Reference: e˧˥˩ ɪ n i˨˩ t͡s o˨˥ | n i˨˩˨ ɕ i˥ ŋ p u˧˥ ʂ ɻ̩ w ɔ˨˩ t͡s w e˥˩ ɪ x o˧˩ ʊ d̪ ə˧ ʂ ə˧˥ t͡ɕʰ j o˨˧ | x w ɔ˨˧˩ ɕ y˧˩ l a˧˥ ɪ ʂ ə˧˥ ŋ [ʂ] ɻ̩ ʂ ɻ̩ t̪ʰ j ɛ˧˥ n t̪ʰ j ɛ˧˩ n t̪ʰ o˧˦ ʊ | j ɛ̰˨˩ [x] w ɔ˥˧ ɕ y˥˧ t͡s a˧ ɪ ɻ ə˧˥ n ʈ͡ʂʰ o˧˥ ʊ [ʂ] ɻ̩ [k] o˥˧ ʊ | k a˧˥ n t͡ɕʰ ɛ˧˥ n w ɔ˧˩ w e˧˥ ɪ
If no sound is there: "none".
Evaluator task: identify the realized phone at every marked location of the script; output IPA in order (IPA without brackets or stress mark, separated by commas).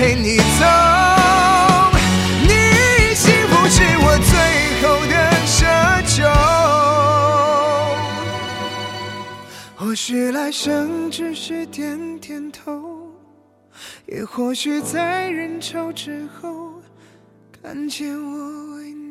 ʈ͡ʂ, x, ʈ͡ʂ, x